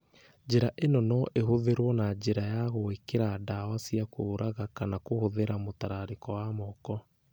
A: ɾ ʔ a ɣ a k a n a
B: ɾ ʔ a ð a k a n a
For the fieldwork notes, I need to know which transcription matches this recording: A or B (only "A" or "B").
A